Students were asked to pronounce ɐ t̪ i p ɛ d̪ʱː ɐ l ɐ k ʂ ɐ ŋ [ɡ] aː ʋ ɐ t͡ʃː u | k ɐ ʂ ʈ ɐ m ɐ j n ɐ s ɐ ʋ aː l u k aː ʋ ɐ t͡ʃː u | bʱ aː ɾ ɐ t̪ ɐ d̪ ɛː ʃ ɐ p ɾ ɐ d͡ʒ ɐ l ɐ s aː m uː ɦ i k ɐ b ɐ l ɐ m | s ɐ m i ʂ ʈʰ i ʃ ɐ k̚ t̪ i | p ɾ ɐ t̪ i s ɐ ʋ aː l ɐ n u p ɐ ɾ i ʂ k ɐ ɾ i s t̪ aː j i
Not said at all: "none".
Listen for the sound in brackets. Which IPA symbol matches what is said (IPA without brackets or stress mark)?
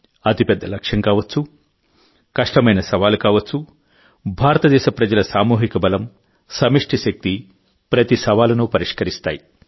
k